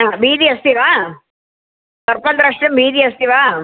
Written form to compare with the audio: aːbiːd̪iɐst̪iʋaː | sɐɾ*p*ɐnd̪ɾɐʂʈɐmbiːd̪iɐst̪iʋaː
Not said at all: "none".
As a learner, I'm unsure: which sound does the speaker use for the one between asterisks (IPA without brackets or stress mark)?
p